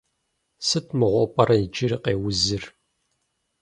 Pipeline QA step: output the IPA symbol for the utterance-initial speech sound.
s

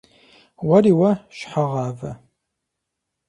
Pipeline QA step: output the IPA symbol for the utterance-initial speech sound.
w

